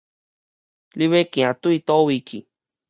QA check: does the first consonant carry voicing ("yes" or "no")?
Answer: yes